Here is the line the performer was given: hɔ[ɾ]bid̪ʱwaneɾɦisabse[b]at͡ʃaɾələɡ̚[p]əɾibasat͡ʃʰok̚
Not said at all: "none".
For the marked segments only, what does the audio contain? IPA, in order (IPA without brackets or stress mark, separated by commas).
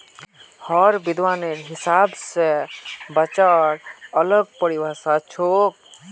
ɾ, b, p